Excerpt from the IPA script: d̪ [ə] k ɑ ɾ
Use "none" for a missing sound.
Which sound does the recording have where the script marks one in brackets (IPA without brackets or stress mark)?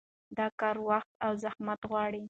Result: ɑ